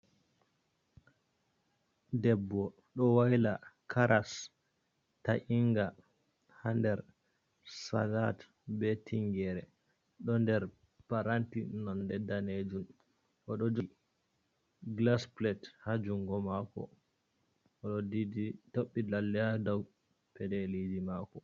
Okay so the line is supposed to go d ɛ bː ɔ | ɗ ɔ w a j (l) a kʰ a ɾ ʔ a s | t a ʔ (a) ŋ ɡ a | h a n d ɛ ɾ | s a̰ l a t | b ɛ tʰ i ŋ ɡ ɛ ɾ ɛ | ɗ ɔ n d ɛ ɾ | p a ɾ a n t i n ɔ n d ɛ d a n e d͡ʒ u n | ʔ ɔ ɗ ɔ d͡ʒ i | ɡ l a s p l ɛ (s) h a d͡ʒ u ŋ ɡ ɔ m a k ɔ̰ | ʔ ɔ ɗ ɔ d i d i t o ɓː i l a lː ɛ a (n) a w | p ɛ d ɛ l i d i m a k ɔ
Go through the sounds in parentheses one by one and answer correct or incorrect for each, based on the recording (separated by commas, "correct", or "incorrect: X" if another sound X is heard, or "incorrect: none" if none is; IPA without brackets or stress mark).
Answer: correct, incorrect: i, incorrect: t, incorrect: d